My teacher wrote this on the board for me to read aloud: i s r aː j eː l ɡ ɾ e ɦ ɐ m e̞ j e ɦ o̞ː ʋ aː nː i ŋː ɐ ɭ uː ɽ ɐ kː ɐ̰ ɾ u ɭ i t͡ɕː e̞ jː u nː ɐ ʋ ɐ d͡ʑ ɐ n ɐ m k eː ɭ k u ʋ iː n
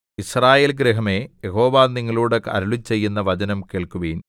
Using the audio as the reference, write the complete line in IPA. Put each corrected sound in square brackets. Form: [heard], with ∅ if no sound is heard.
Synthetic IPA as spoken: i s r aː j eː l ɡ ɾ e ɦ ɐ m e̞ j e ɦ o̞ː ʋ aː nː i ŋː ɐ ɭ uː ɽ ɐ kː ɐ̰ ɾ u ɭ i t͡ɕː e̞ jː u nː ɐ ʋ ɐ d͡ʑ ɐ n ɐ m k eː ɭ k u ʋ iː n